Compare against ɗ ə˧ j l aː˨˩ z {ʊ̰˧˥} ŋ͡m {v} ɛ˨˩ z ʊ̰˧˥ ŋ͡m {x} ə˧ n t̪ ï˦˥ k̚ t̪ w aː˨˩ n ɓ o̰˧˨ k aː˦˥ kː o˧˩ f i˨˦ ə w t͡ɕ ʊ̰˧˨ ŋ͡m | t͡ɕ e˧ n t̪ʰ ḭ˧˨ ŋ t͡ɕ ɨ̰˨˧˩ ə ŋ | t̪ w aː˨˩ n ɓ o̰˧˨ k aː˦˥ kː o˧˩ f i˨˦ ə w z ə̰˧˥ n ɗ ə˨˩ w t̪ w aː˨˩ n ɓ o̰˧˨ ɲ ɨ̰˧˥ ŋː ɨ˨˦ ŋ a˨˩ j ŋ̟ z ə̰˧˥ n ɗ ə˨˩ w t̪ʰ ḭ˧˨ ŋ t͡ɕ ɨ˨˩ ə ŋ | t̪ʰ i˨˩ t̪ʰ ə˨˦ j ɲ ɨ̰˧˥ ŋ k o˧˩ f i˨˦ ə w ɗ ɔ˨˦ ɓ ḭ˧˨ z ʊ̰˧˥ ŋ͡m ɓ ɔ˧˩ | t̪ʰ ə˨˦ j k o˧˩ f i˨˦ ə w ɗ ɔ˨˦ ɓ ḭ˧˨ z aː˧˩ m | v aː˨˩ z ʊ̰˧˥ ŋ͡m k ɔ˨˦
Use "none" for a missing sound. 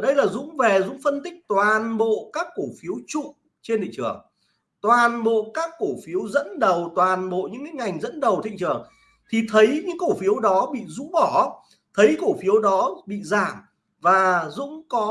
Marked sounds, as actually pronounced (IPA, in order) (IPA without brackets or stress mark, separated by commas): ʊ̰˧˥, v, f